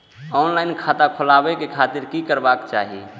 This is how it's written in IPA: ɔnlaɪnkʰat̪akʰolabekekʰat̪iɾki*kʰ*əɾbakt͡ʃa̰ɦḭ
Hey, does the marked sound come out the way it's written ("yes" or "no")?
no